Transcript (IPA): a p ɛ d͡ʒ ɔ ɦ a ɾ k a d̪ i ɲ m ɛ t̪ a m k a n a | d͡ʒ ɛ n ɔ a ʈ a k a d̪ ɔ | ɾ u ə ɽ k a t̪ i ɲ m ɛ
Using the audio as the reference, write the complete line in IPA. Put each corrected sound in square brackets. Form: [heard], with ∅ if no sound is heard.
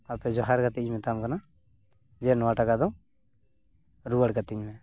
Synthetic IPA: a p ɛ d͡ʒ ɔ ɦ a ɾ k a [t̪] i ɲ m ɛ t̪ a m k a n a | d͡ʒ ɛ n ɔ a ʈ a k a d̪ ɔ | ɾ u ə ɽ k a t̪ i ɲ m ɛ